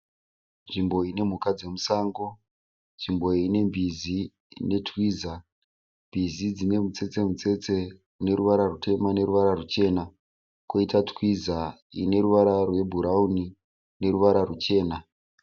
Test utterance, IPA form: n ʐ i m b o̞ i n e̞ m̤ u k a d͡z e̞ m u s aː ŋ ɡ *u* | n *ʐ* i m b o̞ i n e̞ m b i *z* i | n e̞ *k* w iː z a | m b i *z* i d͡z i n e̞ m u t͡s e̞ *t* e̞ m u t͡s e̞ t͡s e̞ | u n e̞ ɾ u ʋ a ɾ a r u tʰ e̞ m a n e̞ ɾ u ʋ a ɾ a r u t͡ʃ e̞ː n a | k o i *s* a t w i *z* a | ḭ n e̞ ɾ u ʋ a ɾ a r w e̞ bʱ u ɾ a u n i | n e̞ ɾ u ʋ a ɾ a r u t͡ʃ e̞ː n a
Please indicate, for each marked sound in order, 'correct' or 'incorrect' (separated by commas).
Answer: incorrect, correct, correct, incorrect, correct, incorrect, incorrect, correct